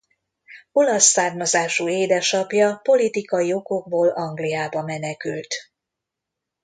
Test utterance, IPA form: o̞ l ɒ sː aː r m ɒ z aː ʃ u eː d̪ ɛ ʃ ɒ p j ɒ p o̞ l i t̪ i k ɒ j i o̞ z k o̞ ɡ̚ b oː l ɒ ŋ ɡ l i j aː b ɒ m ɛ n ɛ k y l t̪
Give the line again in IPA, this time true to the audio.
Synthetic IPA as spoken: o̞ l ɒ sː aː r m ɒ z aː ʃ u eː d̪ ɛ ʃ ɒ p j ɒ p o̞ l i t̪ i k ɒ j i o̞ k o̞ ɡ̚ b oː l ɒ ŋ ɡ l i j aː b ɒ m ɛ n ɛ k y l t̪